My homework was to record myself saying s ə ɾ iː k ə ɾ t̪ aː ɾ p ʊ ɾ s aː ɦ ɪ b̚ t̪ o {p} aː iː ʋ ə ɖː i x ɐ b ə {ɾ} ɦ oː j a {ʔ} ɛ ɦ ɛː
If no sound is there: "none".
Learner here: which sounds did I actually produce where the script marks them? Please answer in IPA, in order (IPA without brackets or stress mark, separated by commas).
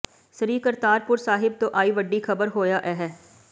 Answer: ʔ, ɾ, ʔ